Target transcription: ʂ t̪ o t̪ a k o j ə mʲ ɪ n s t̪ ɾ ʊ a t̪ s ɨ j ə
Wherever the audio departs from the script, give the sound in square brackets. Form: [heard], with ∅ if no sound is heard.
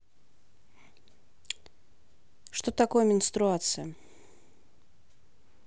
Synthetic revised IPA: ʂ t̪ o t̪ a k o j ə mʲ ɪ n s t̪ ɾ ʊ a t̪ s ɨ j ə